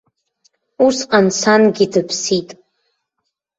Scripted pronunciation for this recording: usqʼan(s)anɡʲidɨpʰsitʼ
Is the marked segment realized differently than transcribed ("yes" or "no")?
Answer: no